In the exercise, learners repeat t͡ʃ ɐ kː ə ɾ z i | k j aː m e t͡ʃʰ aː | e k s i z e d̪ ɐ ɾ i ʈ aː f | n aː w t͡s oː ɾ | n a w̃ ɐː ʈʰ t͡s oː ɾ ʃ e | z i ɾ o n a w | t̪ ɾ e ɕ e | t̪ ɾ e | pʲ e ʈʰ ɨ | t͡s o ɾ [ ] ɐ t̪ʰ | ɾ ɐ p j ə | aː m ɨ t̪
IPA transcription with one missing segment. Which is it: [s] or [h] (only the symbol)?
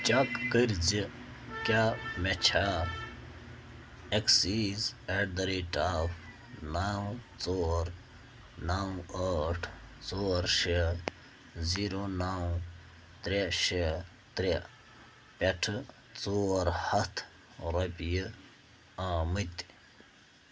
h